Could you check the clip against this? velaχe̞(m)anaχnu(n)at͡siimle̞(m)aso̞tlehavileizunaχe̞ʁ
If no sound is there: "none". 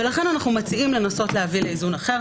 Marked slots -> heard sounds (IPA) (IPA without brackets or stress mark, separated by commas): n, m, n